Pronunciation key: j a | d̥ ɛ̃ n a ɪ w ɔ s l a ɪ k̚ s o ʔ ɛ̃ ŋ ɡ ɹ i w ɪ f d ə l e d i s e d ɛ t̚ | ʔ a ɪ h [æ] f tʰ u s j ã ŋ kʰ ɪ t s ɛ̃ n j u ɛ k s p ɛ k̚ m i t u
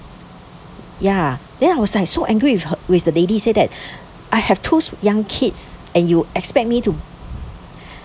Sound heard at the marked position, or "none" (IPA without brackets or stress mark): ɛ